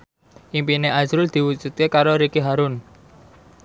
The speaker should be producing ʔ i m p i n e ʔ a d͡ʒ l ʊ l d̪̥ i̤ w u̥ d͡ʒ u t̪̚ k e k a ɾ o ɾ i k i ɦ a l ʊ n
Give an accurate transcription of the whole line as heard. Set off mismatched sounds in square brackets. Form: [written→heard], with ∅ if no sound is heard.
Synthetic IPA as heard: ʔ i m p i n e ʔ a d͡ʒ [l→ɾ] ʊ l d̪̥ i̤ w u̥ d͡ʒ u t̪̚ k e k a ɾ o ɾ i k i ɦ a [l→ɾ] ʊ n

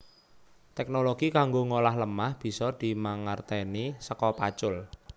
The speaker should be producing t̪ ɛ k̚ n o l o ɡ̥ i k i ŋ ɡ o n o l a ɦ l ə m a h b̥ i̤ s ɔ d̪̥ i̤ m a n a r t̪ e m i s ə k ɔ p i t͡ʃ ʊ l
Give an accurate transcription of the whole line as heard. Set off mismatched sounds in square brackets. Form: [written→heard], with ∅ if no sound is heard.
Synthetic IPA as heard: t̪ ɛ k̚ n o l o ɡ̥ i k [i→a] ŋ ɡ o [n→ŋ] o l a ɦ l ə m a h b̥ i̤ s ɔ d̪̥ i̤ m a [n→ŋ] a r t̪ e [m→n] i s ə k ɔ p [i→a] t͡ʃ ʊ l

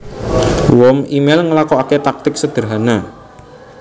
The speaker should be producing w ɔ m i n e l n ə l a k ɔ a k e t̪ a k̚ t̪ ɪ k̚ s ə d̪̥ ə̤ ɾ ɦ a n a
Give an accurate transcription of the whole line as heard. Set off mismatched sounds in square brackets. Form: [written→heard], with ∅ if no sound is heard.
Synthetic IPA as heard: w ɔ m i [n→m] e l [n→ŋ] ə l a k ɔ a k e t̪ a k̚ t̪ ɪ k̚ s ə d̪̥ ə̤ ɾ ɦ a n a

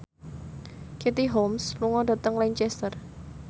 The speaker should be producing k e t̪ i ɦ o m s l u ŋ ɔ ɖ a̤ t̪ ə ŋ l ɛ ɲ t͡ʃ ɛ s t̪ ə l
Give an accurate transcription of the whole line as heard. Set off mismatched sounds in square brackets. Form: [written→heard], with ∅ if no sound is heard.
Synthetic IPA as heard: k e t̪ i ɦ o m s l u ŋ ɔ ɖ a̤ t̪ ə ŋ l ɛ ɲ t͡ʃ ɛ s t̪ ə [l→r]

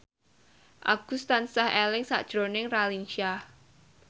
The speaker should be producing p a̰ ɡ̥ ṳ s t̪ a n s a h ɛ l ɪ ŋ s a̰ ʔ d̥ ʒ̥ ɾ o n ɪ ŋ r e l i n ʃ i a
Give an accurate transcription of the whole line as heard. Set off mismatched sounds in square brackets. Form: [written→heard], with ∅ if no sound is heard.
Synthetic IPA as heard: [p→ʔ] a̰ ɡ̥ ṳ s t̪ a n s a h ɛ l ɪ ŋ s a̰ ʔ d̥ ʒ̥ ɾ o n ɪ ŋ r [e→a] l i n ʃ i a

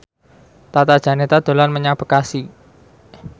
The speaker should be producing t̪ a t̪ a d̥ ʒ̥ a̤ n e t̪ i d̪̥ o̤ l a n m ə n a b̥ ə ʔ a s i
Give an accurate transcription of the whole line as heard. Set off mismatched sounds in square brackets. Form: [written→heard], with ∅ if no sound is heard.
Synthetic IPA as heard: t̪ a t̪ a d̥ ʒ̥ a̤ n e t̪ [i→a] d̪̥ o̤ l a n m ə [n→ɲ] a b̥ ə [ʔ→k] a s i

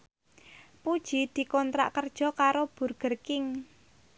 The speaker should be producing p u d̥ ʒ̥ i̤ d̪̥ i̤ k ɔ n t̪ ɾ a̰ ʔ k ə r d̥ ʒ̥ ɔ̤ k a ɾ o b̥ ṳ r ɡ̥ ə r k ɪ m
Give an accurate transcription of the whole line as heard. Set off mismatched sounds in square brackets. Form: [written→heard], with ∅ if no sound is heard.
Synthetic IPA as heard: p u d̥ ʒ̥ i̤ d̪̥ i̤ k ɔ n t̪ ɾ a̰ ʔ k ə r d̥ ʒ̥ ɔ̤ k a ɾ o b̥ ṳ r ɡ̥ ə r k ɪ [m→ŋ]

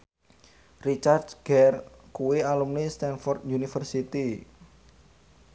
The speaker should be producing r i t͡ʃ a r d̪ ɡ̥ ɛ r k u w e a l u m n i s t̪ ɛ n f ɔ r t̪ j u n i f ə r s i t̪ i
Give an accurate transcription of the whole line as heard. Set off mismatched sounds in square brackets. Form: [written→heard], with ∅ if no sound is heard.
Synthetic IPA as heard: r i t͡ʃ a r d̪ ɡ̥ ɛ r k u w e a l u m n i s t̪ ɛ n f ɔ r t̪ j u n i f ə r s i t̪ i

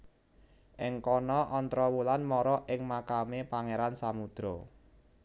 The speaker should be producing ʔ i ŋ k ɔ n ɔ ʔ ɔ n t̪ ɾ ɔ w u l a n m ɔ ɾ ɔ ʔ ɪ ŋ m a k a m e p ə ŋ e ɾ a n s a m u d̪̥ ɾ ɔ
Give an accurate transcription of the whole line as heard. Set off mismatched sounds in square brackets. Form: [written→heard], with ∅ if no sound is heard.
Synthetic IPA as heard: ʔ [i→ɪ] ŋ k ɔ n ɔ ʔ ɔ n t̪ ɾ ɔ w u l a n m ɔ ɾ ɔ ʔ ɪ ŋ m a k a m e p [ə→a] ŋ e ɾ a n s a m u d̪̥ ɾ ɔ

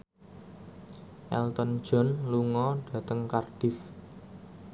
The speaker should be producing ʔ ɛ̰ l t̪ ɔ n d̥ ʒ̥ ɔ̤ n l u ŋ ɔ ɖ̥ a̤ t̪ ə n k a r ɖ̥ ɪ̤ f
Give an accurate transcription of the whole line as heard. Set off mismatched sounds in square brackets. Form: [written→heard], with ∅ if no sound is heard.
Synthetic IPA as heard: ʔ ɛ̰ l t̪ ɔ n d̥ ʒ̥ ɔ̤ n l u ŋ ɔ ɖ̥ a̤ t̪ ə [n→ŋ] k a r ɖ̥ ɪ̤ f

